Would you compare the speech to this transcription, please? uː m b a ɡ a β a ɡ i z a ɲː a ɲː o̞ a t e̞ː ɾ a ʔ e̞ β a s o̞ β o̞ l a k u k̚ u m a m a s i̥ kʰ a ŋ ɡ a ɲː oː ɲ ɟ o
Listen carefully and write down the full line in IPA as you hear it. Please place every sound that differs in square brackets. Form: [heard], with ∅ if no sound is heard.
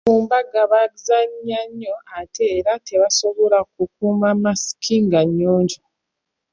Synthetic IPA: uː m b a ɡ a β a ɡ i z a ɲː a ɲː o̞ a t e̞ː ɾ a [t] e̞ β a s o̞ β o̞ l a k u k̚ u m a m a s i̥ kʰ [i] ŋ ɡ a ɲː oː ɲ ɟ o